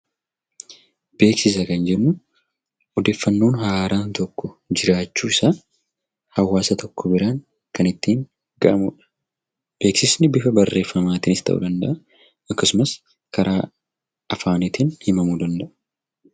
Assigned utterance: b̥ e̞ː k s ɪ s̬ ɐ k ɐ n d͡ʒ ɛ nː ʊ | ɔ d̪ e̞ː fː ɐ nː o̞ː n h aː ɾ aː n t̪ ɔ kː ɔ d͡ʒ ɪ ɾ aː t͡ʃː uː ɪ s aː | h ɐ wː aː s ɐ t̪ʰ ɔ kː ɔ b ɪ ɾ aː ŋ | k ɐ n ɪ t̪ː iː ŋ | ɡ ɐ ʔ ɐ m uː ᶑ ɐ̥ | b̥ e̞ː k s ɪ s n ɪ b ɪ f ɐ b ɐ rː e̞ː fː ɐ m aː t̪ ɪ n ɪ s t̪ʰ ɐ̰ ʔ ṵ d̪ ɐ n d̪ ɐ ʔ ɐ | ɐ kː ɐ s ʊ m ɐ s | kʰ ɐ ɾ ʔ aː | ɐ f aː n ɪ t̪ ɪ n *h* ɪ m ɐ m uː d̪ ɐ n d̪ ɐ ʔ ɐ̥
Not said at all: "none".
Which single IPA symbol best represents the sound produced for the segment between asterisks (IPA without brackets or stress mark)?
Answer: h